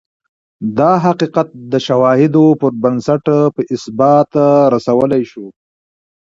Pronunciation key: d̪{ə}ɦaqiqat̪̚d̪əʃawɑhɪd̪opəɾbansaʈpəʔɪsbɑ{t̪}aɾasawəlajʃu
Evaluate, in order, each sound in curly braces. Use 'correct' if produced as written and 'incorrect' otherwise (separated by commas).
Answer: incorrect, correct